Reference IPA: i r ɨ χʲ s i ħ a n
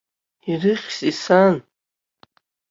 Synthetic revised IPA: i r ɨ χʲ s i s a n